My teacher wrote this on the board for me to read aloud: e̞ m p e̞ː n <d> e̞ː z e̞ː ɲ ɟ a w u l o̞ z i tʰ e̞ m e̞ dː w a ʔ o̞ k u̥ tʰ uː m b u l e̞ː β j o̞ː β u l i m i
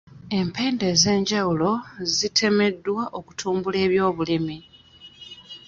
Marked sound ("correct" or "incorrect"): correct